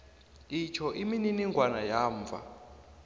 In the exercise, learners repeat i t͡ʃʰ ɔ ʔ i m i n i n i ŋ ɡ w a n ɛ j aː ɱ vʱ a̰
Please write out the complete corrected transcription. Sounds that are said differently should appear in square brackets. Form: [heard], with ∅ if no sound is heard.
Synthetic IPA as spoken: i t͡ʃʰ ɔ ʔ i m i n i n i ŋ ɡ w a n [a] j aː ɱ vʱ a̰

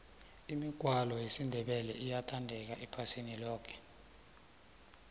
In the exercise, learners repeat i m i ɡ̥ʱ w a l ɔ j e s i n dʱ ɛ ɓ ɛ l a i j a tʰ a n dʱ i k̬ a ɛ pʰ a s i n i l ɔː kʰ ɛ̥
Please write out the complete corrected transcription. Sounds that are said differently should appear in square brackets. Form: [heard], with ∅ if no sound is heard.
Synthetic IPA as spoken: i m i ɡ̥ʱ w a l ɔ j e s i n dʱ ɛ ɓ ɛ l [ɛ] i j a tʰ a n dʱ [ɛ] k̬ a ɛ pʰ a s i n i l ɔː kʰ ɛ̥

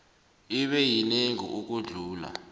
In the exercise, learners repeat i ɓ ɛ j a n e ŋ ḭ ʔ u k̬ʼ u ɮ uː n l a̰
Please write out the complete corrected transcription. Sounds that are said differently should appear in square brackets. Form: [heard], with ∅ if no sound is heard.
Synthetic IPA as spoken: i ɓ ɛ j [i] n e ŋ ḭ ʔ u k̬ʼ u ɮ uː [∅] l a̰

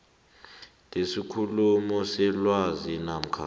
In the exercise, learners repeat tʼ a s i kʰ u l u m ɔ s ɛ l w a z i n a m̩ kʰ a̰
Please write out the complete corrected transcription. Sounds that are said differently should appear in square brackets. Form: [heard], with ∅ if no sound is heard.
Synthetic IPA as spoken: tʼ [e] s i kʰ u l u m ɔ s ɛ l w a z i n a m̩ kʰ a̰

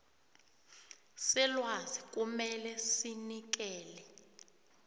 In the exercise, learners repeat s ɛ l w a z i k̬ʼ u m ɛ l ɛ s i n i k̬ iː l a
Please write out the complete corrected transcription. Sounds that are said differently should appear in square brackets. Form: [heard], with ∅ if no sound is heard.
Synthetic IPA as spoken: s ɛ l w a z i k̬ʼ u m ɛ l ɛ s i n i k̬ [ɛː] l [ɛ]

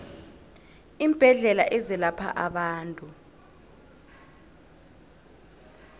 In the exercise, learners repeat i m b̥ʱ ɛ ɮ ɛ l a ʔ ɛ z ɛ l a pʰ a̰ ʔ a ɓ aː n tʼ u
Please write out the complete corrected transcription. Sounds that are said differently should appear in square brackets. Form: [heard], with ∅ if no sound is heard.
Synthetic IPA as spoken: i m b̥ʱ ɛ ɮ ɛ l a ʔ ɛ z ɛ l a pʰ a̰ ʔ a ɓ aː n tʼ u

